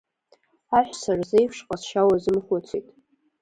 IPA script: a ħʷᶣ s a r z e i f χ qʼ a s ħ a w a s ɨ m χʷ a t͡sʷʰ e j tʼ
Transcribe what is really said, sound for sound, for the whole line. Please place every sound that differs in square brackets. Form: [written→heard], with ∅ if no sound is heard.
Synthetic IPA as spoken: a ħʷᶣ s a r z e [i→j] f [χ→ʂ] qʼ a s [ħ→ʃ] a w a [s→z] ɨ m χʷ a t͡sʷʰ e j tʼ